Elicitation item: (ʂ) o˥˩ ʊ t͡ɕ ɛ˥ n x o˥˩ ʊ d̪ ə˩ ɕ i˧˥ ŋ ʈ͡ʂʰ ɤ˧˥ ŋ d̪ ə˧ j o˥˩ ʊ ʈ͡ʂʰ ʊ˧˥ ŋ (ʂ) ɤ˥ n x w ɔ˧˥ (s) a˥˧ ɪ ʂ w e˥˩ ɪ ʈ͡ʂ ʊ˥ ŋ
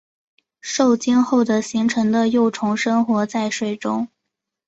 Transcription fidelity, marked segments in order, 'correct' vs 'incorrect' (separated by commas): correct, correct, incorrect